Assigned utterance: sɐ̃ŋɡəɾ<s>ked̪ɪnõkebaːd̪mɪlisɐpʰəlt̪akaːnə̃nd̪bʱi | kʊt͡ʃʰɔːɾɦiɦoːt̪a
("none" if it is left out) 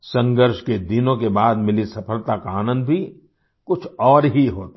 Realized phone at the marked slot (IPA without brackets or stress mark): ʃ